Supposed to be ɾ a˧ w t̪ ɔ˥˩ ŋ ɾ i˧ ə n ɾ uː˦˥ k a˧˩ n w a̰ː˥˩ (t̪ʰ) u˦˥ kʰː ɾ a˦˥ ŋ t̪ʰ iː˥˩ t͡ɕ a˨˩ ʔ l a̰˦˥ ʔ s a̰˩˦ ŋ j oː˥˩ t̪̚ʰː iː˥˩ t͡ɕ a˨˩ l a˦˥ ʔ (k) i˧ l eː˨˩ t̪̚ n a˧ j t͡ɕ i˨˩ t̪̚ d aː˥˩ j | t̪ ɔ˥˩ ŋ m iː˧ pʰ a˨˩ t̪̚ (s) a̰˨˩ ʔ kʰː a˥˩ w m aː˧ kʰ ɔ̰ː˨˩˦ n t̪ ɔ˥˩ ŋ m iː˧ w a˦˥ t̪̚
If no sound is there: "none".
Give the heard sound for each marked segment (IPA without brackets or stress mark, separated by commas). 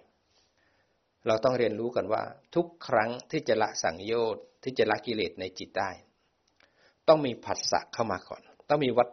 t̪ʰ, k, s